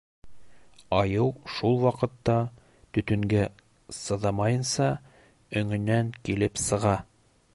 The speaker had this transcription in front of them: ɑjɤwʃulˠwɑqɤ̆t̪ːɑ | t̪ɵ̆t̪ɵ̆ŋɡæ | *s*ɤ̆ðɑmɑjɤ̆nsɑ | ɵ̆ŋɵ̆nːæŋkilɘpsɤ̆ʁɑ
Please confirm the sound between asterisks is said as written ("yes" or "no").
yes